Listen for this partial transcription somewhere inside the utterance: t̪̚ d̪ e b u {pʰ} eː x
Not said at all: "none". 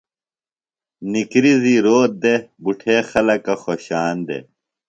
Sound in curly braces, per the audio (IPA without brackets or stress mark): ʈʰ